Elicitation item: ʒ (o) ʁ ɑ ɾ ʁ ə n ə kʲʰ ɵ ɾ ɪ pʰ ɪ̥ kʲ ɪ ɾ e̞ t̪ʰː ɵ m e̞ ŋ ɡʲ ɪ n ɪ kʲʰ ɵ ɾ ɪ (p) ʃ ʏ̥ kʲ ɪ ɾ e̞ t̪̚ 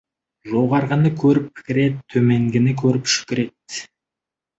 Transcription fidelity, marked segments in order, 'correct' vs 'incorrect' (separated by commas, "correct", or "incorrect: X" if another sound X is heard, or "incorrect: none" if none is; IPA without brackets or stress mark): correct, correct